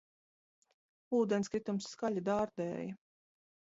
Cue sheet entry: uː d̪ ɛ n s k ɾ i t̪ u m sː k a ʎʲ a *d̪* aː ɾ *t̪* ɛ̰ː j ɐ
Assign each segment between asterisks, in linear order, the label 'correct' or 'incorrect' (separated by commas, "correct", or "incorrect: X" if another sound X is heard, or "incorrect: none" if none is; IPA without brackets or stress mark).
correct, incorrect: d̪